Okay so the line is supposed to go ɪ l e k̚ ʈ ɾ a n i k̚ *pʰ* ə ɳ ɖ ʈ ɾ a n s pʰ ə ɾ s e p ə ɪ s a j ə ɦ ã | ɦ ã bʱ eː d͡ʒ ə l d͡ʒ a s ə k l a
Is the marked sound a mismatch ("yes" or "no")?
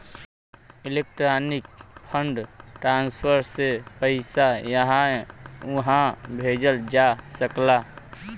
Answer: no